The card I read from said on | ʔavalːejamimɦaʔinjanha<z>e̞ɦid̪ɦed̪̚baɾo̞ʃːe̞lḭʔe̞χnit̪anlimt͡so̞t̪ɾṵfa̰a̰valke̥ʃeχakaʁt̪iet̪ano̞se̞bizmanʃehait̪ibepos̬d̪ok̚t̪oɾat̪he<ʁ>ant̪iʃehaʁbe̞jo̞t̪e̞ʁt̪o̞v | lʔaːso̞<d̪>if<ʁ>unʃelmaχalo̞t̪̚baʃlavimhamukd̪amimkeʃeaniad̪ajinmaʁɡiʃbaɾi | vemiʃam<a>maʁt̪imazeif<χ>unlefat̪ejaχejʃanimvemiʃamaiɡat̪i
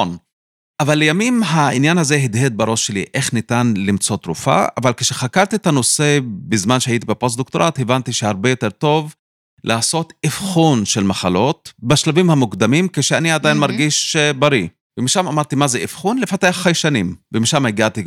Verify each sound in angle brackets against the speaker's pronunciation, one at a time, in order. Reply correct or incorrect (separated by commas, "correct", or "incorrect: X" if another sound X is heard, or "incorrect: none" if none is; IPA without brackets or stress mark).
correct, incorrect: v, incorrect: t̪, incorrect: χ, correct, correct